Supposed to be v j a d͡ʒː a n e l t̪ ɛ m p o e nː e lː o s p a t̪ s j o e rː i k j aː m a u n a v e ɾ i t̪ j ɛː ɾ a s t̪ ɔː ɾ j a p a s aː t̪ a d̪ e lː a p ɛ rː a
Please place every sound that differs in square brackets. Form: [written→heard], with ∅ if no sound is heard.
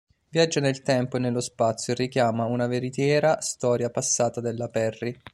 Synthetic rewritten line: v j a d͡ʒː a n e l t̪ ɛ m p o e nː e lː o s p a t̪ s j o e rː i k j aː m a u n a v e ɾ i t̪ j ɛː ɾ a s t̪ ɔː ɾ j a p a [s→sː] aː t̪ a d̪ e lː a p ɛ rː [a→i]